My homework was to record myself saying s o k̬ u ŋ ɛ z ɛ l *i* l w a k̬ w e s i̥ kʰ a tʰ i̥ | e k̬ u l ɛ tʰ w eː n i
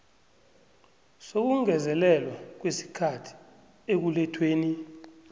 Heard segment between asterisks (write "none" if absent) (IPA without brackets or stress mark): ɛ